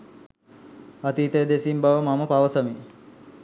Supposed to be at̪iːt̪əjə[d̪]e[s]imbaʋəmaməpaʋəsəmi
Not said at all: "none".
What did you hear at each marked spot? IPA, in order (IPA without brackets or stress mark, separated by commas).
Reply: d̪, s